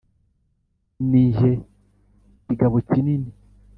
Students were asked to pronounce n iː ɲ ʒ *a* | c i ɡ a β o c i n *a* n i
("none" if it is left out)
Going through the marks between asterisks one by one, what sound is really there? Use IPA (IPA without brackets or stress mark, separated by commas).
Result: e, i